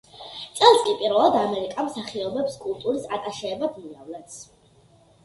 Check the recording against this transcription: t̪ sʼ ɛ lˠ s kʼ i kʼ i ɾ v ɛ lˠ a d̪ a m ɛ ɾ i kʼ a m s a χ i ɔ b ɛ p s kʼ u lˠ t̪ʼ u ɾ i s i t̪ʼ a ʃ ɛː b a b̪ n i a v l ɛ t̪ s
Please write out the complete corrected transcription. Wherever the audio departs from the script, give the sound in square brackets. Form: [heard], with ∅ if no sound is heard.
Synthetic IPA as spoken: t̪ sʼ ɛ lˠ s kʼ i [pʼ] i ɾ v ɛ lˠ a d̪ a m ɛ ɾ i kʼ a m s a χ i ɔ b ɛ p s kʼ u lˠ t̪ʼ u ɾ i s [a] t̪ʼ a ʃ ɛː b a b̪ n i a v l ɛ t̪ s